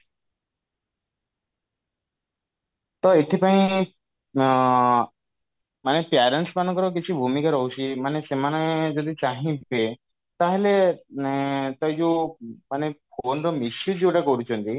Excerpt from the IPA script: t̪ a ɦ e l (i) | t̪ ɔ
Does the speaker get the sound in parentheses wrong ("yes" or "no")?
yes